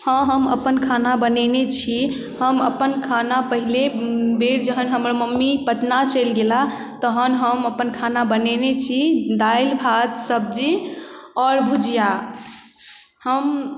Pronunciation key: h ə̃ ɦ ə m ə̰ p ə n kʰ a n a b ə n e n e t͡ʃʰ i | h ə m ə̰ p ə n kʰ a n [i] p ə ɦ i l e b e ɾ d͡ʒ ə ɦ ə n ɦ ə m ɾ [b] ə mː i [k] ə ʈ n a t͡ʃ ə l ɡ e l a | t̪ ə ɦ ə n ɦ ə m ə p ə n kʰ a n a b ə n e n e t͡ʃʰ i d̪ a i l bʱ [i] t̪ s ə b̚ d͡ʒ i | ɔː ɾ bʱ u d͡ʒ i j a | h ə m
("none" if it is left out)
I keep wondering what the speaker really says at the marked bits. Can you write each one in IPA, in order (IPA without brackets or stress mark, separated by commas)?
a, m, p, a